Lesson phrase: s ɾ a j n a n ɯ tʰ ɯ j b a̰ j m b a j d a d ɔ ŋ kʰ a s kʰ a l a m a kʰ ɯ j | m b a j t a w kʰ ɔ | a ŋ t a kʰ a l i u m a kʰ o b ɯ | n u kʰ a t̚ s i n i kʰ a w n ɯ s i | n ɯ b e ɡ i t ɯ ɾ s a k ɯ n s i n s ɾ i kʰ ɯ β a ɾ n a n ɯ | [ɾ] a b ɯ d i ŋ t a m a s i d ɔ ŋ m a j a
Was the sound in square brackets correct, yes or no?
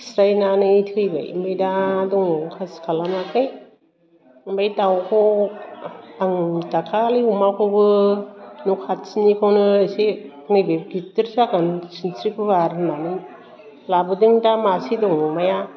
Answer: no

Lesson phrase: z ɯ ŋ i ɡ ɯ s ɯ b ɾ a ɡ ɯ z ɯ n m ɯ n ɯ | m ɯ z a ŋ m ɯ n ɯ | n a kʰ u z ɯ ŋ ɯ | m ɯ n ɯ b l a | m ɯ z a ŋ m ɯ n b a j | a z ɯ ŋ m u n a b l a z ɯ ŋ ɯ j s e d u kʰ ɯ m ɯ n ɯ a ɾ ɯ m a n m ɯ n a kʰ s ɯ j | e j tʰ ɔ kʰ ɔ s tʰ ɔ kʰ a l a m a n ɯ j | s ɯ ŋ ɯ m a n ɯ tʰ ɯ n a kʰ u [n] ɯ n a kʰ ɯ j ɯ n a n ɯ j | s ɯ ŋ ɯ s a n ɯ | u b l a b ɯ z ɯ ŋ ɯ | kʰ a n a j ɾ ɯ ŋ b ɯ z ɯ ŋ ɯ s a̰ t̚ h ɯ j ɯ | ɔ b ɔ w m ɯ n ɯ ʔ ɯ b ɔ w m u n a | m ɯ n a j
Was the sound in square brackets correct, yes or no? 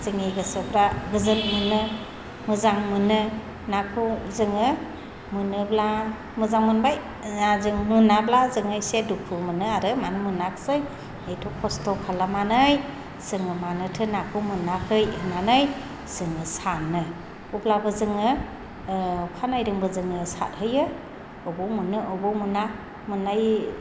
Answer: no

